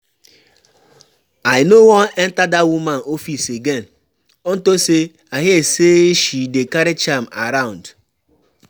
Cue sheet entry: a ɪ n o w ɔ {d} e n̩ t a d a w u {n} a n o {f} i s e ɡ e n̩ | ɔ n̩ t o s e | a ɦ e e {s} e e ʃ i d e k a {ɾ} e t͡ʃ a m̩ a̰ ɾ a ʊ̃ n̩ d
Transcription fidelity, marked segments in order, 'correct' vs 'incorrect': incorrect, incorrect, correct, correct, correct

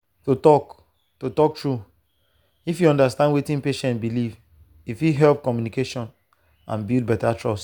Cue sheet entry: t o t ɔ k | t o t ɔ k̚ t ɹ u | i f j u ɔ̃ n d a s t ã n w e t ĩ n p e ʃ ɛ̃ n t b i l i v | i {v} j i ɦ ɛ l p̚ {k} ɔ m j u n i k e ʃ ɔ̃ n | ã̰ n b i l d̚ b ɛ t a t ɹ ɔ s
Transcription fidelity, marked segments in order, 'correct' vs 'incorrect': incorrect, correct

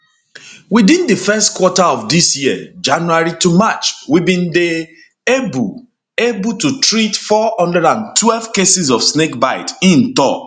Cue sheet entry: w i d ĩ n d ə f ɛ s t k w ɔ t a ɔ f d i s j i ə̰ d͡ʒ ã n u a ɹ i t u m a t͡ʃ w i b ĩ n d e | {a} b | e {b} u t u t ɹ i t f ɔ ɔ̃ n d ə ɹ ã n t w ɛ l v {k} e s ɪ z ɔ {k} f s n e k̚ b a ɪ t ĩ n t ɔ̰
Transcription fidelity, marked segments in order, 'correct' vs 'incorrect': incorrect, correct, correct, incorrect

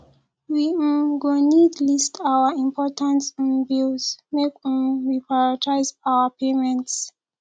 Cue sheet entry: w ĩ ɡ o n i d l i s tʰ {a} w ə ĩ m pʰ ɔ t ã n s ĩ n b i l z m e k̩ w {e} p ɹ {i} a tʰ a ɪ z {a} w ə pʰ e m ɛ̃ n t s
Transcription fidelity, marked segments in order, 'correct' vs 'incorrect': correct, incorrect, incorrect, correct

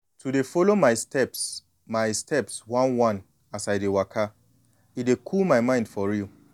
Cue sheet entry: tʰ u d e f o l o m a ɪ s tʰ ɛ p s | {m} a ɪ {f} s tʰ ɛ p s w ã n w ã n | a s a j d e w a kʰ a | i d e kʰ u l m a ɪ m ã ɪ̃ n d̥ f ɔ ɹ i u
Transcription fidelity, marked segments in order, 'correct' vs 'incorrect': correct, incorrect

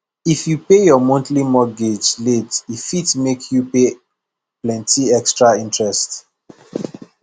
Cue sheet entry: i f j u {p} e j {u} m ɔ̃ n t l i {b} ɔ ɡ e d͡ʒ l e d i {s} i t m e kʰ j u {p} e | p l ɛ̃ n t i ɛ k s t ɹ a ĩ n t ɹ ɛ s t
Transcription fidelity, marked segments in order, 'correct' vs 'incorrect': correct, incorrect, incorrect, incorrect, correct

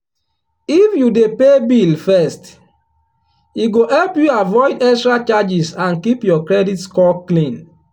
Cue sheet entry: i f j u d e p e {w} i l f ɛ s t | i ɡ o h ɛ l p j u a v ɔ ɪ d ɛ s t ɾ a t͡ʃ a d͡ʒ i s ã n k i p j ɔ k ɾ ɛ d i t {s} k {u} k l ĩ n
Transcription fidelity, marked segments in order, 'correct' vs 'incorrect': incorrect, correct, incorrect

